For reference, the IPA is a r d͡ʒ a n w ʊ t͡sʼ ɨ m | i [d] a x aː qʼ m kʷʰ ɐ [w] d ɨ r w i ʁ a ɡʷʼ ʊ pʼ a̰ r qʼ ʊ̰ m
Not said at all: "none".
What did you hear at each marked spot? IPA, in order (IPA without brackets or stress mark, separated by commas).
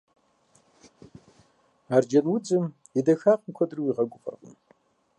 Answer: d, none